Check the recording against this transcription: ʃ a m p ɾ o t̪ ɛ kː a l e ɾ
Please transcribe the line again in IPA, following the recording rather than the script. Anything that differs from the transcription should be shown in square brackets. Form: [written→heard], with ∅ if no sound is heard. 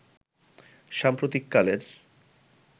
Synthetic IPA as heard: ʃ a m p ɾ o t̪ [ɛ→i] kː a l e ɾ